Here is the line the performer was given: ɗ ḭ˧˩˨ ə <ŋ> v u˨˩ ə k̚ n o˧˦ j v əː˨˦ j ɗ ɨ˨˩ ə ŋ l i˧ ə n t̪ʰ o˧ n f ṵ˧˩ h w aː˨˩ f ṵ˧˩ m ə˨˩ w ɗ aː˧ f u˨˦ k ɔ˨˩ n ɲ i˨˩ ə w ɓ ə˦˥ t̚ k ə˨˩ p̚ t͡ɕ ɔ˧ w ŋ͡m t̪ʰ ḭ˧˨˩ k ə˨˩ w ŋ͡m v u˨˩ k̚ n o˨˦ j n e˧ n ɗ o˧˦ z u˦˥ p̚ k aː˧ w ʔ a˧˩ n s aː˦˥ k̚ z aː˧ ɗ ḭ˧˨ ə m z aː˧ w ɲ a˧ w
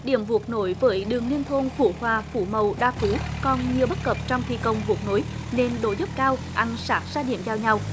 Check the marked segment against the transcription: incorrect: m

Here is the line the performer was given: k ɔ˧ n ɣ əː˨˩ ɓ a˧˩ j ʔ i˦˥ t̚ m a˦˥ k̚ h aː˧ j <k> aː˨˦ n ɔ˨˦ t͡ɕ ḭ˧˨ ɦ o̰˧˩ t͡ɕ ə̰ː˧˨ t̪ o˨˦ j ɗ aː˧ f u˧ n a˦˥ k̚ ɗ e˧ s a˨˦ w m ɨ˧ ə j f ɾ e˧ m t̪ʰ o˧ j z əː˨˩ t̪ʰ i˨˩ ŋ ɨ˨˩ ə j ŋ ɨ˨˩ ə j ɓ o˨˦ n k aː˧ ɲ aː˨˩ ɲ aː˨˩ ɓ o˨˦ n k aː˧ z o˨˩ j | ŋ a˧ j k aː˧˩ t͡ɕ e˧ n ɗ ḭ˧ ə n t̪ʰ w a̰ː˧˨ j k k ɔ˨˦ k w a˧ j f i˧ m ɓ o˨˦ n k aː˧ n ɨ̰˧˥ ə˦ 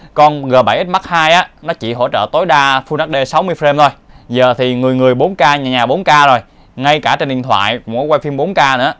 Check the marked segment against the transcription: incorrect: ʔ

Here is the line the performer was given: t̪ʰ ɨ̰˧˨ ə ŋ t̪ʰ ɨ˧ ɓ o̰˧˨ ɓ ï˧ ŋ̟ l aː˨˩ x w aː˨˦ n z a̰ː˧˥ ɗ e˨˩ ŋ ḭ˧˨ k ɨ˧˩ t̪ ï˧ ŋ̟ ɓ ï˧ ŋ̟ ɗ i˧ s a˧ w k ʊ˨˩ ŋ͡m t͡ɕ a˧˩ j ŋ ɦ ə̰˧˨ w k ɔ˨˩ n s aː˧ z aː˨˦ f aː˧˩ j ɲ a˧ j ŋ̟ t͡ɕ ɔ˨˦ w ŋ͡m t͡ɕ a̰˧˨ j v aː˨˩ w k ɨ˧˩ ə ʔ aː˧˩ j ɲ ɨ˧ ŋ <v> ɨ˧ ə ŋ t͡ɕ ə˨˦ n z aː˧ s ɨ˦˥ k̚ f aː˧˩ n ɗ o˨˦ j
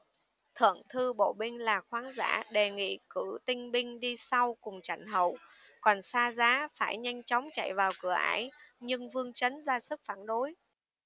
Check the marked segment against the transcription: correct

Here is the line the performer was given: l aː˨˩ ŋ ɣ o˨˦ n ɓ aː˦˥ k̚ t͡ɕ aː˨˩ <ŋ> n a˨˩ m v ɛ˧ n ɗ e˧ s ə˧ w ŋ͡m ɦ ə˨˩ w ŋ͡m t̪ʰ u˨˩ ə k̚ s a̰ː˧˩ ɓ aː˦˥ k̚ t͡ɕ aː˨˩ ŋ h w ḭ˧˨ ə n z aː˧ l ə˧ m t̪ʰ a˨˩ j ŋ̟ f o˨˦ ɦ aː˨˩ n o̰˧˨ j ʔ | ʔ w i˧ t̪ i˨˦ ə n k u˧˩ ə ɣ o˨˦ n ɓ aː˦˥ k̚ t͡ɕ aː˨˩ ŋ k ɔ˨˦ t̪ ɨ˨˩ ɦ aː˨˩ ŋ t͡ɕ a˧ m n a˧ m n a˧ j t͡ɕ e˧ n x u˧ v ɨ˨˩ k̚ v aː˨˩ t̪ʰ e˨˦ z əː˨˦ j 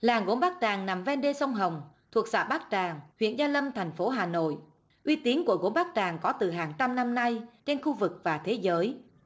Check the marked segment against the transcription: correct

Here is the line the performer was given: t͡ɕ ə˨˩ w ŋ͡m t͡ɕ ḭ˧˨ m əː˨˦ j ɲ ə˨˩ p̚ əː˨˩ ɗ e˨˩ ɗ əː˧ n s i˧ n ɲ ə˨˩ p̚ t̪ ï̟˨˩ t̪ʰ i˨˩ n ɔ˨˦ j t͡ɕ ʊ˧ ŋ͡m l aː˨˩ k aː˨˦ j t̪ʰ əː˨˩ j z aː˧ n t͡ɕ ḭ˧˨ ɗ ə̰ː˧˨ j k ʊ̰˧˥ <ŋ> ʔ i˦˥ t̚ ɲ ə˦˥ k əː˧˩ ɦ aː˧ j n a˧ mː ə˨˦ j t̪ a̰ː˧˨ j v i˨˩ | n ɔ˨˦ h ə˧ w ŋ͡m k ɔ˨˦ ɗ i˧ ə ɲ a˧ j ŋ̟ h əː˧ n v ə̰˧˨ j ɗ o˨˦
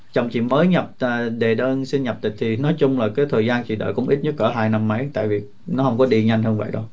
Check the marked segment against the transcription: incorrect: ŋ͡m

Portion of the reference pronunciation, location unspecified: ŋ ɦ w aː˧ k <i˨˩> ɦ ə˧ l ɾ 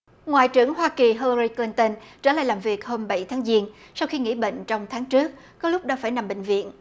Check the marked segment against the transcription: correct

